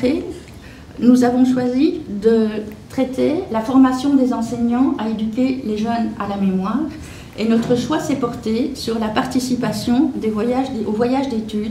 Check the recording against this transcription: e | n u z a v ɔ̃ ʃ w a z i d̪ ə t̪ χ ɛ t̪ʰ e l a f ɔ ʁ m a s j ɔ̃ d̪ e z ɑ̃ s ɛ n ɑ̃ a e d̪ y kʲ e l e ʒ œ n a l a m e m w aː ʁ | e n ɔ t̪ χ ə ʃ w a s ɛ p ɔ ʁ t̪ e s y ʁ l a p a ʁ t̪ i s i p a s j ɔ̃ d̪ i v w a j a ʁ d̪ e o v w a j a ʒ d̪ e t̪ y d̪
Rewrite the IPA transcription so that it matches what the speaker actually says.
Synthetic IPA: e | n u z a v ɔ̃ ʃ w a z i d̪ ə t̪ χ ɛ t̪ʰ e l a f ɔ ʁ m a s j ɔ̃ d̪ e z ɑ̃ s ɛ ɲ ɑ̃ a e d̪ y kʲ e l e ʒ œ n a l a m e m w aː ʁ | e n ɔ t̪ χ ə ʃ w a s ɛ p ɔ ʁ t̪ e s y ʁ l a p a ʁ t̪ i s i p a s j ɔ̃ d̪ e v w a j a ʒ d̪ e o v w a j a ʒ d̪ e t̪ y d̪